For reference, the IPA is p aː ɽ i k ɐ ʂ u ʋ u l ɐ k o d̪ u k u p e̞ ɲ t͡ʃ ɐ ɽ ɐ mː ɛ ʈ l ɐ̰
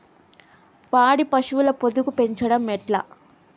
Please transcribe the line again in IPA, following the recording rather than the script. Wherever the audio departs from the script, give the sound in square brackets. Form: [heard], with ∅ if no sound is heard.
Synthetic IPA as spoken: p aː ɽ i [p] ɐ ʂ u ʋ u l ɐ [p] o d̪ u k u p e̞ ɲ t͡ʃ ɐ ɽ ɐ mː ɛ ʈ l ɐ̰